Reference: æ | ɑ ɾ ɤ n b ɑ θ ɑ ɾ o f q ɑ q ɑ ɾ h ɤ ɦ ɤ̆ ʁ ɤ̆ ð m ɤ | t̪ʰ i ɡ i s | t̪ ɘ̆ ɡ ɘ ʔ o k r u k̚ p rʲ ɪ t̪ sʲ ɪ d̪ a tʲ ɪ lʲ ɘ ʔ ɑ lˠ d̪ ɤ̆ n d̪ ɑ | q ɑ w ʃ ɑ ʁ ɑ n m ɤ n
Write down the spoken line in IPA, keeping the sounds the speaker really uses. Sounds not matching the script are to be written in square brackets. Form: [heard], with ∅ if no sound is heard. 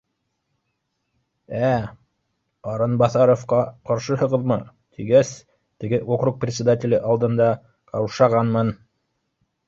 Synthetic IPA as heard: æ | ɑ ɾ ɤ n b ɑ θ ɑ ɾ o f q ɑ q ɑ ɾ [ʃ] ɤ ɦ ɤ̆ ʁ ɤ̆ ð m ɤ | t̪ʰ i ɡ [æ] s | t̪ ɘ̆ ɡ ɘ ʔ o k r u k̚ p rʲ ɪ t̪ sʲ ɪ d̪ a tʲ ɪ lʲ ɘ ʔ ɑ lˠ d̪ ɤ̆ n d̪ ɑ | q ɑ w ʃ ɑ ʁ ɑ n m ɤ n